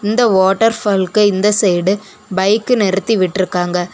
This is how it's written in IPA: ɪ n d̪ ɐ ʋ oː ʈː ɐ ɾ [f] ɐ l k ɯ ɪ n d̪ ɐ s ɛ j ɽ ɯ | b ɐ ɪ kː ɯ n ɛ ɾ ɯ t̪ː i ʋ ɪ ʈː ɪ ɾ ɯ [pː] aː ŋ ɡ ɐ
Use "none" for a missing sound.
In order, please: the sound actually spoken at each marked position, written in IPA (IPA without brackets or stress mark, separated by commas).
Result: f, kː